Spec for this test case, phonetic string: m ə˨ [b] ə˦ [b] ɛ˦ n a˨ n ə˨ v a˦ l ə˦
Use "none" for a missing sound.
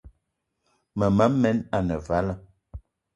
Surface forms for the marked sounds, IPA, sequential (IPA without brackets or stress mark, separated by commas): m, m